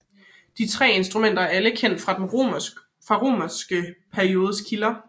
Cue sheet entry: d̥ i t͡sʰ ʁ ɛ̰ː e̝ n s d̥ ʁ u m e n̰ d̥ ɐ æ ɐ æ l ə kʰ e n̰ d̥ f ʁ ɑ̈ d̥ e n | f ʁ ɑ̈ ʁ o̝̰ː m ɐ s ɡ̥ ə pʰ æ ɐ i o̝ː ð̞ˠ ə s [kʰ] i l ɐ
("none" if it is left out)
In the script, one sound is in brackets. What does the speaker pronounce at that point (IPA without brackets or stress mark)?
kʰ